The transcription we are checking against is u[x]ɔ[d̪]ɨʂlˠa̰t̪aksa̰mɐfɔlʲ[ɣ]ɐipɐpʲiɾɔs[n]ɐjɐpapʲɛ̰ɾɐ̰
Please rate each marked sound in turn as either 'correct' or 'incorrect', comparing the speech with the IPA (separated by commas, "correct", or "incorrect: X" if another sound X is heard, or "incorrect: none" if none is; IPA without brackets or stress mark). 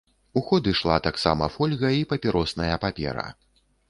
correct, correct, correct, correct